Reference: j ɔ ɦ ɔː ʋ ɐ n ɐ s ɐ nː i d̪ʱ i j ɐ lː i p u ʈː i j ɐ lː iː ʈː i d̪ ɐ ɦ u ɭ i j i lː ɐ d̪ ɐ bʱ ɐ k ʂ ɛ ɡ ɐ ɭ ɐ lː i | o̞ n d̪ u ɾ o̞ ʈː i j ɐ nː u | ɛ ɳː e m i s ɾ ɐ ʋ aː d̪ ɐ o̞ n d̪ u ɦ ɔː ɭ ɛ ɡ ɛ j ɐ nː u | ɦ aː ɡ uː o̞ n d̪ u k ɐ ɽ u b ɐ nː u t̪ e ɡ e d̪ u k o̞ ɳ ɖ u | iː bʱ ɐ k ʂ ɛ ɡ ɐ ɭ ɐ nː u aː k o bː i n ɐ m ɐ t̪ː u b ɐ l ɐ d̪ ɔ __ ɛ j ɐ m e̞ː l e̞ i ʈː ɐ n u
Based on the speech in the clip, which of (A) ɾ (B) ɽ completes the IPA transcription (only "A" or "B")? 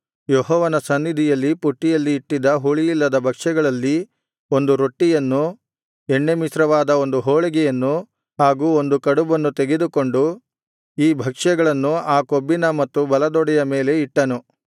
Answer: B